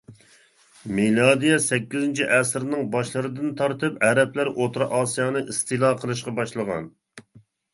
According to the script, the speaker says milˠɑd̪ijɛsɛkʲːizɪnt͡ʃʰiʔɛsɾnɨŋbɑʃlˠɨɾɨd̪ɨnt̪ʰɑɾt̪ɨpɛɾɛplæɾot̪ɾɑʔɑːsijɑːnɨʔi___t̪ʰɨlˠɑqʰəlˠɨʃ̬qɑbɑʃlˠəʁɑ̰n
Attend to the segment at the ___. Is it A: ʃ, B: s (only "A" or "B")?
B